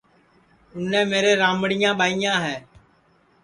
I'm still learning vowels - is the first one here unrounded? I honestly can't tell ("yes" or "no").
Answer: no